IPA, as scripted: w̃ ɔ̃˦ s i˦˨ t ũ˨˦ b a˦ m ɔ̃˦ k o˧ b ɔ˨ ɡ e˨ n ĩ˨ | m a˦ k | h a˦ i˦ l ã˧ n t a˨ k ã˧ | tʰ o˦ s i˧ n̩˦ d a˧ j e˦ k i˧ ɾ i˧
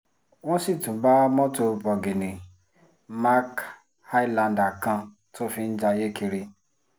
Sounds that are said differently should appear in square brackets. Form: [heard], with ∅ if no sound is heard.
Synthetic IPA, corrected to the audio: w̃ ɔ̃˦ s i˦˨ t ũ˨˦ b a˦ m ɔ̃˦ [t] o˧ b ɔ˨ ɡ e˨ n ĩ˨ | m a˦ k | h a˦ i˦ l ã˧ n [d] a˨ k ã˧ | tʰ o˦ [f] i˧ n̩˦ [d͡ʒ] a˧ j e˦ k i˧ ɾ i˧